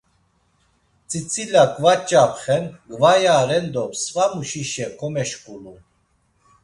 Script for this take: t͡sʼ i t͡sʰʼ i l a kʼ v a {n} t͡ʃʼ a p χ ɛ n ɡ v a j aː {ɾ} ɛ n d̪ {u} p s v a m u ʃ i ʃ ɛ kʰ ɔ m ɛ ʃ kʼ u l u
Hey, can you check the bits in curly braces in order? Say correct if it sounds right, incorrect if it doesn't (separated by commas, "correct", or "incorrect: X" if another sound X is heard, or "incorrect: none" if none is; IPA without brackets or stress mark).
incorrect: none, correct, incorrect: ɔ